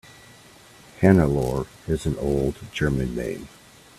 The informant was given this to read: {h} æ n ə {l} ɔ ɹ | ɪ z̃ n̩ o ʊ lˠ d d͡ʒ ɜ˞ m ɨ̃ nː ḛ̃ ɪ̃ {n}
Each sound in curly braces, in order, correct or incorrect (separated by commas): correct, correct, incorrect